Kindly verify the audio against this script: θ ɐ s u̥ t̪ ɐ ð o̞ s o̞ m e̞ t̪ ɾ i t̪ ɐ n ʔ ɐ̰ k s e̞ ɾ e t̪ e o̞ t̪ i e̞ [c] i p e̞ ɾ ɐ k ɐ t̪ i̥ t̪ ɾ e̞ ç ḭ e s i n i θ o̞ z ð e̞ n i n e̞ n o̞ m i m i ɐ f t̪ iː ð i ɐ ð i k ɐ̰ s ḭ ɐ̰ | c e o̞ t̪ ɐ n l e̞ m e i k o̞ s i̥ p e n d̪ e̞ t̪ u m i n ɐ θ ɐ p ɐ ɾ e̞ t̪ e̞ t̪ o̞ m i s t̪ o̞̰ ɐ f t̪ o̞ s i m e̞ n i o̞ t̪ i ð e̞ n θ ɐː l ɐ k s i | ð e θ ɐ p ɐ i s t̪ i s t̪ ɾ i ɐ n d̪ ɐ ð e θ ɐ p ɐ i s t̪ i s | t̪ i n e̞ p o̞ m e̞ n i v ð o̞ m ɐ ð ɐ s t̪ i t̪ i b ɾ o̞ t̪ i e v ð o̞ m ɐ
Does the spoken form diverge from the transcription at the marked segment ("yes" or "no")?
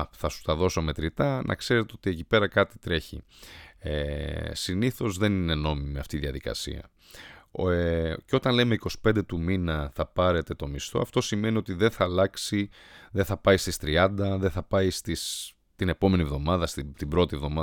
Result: no